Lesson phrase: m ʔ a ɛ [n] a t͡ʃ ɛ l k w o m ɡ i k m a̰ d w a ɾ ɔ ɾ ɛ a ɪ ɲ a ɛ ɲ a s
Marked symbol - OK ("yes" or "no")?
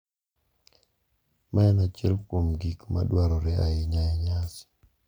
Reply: yes